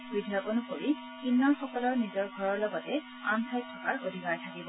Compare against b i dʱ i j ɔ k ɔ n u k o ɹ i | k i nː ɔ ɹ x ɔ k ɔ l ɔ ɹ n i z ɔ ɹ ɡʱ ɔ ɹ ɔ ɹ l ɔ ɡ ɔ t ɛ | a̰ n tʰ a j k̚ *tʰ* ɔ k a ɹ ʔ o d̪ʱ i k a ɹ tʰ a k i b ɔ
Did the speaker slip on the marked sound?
no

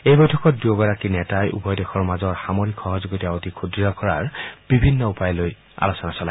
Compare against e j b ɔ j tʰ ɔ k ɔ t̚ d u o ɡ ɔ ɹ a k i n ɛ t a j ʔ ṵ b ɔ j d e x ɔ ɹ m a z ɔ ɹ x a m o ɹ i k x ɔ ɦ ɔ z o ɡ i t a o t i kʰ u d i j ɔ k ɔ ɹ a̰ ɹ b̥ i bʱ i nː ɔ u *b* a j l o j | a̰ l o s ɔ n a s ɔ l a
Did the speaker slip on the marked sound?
yes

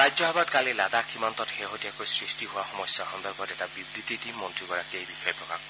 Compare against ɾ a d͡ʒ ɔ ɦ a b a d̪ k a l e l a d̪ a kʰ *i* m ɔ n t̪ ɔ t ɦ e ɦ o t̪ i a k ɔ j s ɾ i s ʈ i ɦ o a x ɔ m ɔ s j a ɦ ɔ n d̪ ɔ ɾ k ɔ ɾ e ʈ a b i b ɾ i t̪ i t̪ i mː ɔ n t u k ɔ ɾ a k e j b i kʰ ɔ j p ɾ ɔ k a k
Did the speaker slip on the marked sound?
no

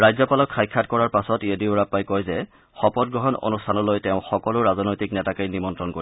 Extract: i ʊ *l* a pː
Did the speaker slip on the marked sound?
yes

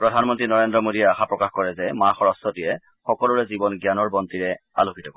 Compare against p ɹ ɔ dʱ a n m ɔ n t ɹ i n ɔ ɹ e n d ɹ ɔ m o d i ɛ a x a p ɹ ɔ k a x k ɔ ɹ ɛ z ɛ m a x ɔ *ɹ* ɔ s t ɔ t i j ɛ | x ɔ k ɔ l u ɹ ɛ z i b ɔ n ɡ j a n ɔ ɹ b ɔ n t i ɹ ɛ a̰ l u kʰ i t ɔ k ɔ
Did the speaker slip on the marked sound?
no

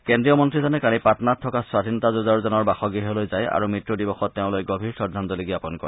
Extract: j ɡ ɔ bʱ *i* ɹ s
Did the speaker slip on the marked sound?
no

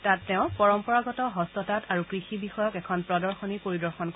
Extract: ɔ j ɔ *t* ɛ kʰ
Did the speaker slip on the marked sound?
yes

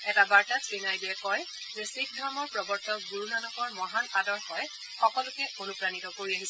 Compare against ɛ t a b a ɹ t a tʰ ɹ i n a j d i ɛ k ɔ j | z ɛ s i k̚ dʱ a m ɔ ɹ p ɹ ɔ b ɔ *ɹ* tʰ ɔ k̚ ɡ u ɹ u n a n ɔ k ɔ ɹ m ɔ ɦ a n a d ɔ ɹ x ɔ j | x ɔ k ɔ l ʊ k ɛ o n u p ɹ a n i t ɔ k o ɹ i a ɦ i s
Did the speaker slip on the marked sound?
no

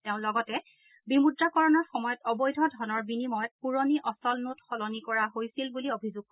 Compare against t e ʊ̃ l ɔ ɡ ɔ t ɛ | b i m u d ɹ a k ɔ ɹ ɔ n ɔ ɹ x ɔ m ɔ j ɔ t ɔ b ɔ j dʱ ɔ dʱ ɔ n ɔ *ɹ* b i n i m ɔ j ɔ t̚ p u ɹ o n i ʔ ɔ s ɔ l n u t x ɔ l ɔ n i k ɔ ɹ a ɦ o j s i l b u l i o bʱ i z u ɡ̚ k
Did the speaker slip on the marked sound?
no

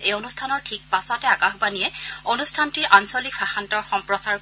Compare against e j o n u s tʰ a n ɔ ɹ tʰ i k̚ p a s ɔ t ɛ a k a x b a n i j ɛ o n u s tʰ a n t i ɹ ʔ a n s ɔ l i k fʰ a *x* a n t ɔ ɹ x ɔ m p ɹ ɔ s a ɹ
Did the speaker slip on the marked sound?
no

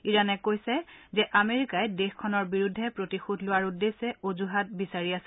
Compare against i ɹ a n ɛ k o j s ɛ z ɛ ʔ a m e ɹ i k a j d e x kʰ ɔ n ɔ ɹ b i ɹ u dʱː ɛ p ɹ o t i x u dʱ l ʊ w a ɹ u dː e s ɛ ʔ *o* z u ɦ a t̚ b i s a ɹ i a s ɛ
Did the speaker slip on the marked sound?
no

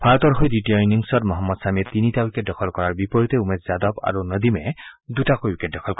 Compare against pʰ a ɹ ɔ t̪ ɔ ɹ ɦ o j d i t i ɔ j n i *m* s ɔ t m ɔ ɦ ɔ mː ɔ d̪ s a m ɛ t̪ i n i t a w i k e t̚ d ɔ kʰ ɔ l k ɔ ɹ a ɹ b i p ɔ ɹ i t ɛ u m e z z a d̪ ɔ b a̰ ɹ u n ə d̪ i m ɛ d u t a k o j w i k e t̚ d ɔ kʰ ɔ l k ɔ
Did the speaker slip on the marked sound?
yes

